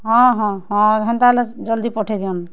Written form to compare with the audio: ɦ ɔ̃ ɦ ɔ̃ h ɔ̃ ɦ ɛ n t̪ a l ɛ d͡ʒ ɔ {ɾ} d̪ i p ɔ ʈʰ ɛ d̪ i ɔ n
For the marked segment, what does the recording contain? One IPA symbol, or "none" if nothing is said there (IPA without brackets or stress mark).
l